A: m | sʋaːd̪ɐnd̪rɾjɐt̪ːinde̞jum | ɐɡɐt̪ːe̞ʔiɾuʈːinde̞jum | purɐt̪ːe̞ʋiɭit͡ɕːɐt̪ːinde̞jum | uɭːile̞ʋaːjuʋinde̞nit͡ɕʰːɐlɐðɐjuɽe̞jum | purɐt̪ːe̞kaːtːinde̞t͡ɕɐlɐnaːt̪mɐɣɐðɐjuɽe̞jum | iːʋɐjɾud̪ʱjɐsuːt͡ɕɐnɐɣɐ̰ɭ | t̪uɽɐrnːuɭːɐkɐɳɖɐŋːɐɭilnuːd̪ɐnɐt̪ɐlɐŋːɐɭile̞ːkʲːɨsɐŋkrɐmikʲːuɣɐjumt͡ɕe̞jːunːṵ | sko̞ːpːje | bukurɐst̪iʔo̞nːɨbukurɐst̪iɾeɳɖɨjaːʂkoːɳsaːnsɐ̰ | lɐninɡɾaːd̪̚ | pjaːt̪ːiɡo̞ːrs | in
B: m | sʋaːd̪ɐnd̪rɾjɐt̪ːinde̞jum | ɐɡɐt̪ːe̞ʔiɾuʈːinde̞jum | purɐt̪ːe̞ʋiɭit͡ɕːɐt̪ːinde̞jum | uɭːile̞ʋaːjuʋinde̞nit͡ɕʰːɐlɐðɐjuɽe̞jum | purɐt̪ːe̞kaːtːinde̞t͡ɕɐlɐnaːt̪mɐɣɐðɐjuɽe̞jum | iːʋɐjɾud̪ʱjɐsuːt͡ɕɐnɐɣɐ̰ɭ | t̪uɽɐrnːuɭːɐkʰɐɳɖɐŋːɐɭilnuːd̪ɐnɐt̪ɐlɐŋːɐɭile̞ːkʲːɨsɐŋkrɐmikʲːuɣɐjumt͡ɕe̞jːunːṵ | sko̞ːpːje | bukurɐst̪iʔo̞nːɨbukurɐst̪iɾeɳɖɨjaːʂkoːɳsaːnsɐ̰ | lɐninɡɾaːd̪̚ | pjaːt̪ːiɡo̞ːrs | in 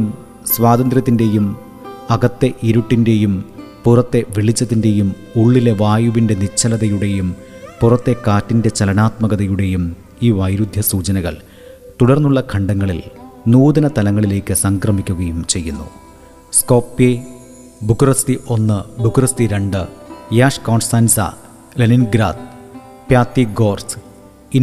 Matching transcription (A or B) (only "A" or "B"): B